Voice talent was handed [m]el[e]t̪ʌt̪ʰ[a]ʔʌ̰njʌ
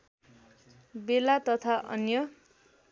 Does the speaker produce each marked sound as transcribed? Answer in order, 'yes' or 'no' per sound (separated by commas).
no, no, yes